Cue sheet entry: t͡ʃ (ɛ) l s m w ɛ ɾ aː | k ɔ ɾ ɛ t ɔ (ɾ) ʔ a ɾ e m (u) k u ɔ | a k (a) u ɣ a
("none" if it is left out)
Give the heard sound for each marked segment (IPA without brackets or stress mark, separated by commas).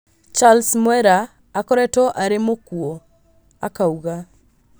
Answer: a, none, o, a